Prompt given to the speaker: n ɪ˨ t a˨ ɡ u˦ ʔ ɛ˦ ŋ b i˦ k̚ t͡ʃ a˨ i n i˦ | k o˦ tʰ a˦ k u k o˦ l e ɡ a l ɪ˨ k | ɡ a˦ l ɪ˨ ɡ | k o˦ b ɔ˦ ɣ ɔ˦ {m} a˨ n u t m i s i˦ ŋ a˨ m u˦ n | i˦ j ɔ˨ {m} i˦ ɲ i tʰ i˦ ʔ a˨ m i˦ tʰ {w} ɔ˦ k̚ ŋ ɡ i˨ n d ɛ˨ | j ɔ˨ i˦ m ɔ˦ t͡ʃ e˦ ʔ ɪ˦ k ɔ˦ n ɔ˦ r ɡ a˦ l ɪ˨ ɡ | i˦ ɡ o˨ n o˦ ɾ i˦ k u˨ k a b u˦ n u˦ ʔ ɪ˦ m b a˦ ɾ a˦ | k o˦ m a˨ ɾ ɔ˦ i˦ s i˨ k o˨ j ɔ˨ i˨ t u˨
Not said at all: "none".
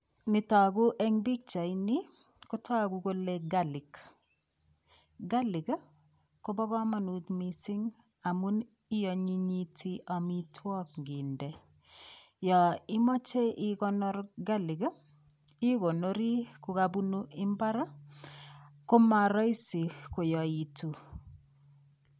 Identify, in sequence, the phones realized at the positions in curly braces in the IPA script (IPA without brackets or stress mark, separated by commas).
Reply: m, ɲ, w